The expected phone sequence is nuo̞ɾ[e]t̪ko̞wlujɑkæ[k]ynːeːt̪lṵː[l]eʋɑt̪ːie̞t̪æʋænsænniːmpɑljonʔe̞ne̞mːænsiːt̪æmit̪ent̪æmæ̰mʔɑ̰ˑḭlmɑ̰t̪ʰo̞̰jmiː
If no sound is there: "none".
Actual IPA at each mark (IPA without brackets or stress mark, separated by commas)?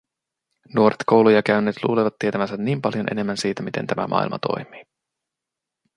e, none, l